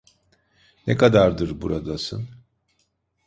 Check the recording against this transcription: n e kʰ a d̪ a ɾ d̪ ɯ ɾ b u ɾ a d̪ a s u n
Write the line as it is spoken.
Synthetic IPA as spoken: n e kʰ a d̪ a ɾ d̪ ɯ ɾ b u ɾ a d̪ a s ɯ n